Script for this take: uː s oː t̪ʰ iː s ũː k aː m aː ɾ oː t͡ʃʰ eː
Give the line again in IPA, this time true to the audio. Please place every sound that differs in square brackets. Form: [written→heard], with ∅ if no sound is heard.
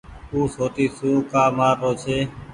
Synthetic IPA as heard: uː s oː [t̪ʰ→t̪] iː s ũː k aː m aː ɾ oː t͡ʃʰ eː